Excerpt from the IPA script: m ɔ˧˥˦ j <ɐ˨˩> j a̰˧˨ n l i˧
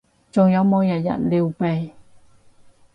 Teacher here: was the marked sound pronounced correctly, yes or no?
no